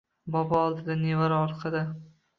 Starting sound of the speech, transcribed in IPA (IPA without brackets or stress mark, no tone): b